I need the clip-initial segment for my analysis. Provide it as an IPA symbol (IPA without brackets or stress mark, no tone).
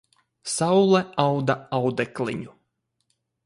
s